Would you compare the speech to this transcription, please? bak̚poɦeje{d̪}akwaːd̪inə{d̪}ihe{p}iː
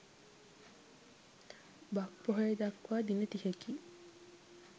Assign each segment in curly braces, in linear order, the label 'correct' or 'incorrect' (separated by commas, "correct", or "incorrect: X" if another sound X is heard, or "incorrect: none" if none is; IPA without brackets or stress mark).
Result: correct, incorrect: t̪, incorrect: k